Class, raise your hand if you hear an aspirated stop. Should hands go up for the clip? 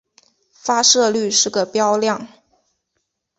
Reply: no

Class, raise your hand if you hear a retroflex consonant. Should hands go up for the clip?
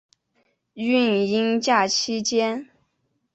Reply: no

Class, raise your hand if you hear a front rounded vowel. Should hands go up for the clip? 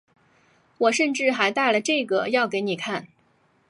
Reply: no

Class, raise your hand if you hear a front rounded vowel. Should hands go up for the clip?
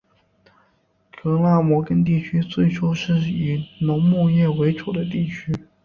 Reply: yes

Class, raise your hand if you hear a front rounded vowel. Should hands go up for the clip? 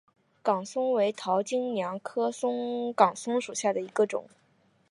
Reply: no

